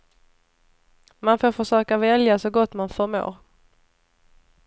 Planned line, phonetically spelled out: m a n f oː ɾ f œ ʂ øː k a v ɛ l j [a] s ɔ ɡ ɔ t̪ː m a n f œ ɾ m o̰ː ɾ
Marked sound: correct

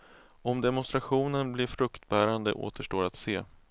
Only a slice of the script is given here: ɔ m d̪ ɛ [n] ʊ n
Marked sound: incorrect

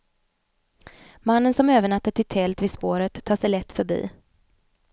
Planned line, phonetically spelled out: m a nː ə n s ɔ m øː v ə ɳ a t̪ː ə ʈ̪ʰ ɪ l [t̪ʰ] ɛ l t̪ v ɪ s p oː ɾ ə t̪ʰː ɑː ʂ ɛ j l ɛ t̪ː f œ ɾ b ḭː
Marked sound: correct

